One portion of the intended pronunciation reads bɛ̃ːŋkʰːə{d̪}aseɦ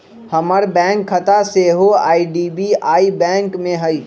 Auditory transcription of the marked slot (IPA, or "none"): t̪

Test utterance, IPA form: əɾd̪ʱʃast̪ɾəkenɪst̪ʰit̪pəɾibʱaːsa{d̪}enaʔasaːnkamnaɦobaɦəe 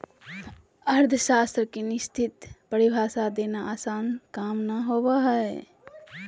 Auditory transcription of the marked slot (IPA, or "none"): d̪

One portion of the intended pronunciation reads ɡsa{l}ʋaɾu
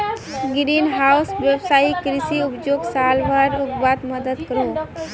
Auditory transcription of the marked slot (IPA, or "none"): l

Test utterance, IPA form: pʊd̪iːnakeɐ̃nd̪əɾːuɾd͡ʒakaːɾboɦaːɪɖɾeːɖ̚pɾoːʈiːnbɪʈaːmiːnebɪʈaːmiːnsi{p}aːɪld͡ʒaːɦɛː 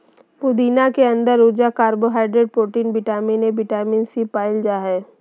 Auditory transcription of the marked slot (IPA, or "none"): p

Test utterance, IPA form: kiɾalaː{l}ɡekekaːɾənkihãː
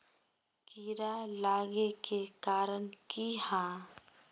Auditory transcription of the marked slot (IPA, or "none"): none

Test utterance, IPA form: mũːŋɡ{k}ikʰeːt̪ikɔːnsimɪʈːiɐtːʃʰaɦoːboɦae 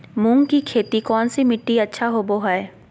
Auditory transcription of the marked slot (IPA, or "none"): k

